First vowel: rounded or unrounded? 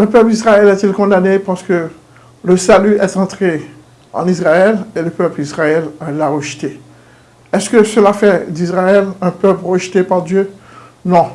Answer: unrounded